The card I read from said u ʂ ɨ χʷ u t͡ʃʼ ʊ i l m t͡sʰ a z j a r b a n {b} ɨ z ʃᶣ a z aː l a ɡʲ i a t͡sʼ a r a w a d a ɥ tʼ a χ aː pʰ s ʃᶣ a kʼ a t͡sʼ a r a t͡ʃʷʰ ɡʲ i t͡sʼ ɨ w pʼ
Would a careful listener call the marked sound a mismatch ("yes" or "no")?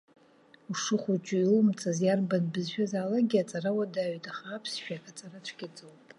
no